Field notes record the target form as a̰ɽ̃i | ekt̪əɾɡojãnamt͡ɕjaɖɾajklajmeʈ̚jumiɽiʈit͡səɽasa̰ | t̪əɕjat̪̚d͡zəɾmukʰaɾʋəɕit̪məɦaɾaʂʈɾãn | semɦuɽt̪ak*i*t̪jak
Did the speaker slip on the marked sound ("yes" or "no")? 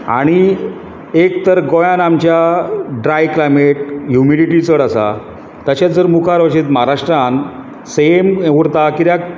no